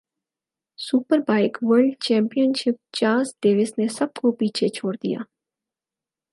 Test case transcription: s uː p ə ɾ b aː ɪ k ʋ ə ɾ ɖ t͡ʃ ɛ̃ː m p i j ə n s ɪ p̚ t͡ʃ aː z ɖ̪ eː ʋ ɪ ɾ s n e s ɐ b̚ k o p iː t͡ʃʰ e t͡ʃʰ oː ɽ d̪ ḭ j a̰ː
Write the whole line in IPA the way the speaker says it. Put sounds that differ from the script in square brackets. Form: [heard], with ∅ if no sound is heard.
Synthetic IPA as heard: s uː p ə ɾ b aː ɪ k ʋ ə ɾ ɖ t͡ʃ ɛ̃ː m p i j ə n [ʃ] ɪ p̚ t͡ʃ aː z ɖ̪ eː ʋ ɪ [∅] s n e s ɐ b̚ k o p iː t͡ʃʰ e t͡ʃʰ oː ɽ d̪ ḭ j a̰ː